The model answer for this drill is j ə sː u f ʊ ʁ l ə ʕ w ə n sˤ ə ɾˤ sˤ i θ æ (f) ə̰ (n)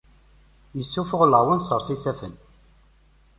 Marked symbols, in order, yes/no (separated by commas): yes, yes